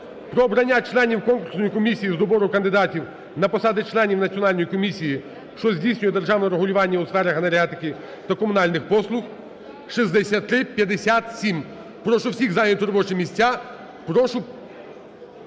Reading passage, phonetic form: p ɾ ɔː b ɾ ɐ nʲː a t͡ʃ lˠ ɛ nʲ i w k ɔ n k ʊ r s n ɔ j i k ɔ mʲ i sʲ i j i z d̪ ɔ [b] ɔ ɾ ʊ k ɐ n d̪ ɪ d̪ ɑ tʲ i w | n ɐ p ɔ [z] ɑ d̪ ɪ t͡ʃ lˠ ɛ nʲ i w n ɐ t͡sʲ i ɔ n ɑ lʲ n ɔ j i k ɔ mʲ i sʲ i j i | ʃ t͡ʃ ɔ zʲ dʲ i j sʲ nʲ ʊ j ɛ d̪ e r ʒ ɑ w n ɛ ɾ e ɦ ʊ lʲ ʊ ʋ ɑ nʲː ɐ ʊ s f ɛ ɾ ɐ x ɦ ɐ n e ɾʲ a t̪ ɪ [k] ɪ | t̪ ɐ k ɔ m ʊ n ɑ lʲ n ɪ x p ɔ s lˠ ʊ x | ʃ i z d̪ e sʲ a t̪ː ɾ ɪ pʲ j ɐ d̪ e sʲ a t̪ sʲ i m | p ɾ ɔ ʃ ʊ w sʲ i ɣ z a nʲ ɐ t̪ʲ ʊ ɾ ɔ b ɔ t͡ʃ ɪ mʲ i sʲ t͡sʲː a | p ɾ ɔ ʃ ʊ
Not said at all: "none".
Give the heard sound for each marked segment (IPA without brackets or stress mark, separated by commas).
b, s, k